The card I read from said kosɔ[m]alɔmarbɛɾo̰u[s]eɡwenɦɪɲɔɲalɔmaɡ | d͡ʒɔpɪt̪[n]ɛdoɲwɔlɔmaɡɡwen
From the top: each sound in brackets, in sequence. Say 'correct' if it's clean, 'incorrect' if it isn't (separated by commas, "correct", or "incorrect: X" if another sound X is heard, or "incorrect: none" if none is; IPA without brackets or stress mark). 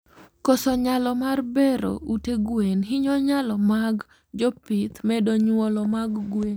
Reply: incorrect: ɲ, incorrect: t, incorrect: m